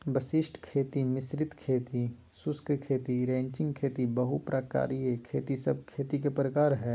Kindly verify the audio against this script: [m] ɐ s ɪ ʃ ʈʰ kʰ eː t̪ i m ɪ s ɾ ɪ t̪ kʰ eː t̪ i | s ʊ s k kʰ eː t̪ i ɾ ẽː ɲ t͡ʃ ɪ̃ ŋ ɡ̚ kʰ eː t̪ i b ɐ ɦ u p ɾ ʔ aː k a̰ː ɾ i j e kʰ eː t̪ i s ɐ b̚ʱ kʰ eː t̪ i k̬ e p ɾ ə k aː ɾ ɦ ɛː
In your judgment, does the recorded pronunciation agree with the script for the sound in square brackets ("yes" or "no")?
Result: no